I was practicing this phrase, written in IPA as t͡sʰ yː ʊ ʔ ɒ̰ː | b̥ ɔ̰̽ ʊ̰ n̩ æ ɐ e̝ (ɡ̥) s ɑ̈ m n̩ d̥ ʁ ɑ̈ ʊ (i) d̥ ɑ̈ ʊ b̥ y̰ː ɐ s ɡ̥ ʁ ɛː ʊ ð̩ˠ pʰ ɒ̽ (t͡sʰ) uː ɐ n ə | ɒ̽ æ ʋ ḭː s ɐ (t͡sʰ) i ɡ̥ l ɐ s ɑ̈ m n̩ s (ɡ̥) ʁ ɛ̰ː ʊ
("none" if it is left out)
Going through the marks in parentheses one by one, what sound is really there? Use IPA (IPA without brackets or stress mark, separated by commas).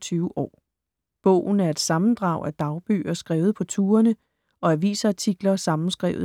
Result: d̥, æ, t͡sʰ, t͡sʰ, ɡ̥